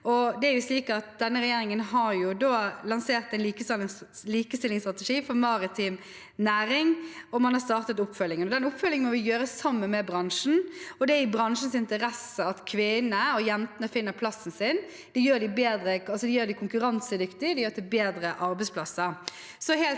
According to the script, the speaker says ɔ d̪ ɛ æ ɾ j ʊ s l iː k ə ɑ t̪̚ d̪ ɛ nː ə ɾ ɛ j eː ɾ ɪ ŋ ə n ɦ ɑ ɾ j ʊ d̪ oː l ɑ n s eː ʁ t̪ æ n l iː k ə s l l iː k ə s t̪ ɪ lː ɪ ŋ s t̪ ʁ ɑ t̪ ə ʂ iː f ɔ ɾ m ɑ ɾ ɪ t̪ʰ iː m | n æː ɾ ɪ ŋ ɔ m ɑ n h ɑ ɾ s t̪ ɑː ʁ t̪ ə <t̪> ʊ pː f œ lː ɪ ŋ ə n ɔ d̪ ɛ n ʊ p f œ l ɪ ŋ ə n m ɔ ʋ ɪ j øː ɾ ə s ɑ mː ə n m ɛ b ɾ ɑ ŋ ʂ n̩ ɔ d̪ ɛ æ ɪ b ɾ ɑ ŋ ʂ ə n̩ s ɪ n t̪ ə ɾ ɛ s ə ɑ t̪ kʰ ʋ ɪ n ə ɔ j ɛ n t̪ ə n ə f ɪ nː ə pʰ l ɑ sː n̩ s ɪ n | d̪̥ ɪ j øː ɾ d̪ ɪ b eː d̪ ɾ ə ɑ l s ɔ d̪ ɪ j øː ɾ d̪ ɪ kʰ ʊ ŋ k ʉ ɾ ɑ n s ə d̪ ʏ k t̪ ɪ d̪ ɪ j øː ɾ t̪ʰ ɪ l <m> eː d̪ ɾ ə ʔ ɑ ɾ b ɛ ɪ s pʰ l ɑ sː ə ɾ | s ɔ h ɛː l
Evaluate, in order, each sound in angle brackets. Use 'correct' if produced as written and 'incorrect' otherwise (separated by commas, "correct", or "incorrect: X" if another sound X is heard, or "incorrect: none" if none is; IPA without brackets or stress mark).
correct, incorrect: b